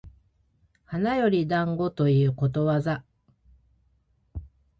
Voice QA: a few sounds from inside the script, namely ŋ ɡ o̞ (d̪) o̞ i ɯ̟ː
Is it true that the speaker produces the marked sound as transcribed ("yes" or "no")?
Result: no